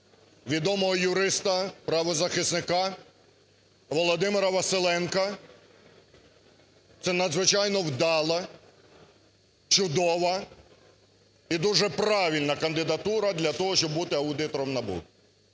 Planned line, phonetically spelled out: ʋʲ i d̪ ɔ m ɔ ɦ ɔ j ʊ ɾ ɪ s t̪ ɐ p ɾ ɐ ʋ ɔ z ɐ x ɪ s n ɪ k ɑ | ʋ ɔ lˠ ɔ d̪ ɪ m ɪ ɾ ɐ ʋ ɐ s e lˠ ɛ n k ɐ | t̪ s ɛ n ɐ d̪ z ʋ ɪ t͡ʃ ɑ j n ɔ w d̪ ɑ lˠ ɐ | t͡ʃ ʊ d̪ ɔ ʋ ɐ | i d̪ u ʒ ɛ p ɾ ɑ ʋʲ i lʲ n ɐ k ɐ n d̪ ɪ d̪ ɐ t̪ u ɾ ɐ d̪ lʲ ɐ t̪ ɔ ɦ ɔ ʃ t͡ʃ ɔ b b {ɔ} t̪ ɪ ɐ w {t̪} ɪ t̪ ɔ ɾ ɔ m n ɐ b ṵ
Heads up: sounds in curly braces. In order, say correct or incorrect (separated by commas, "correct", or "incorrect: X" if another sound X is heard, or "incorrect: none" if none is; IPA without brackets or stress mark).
incorrect: u, incorrect: d̪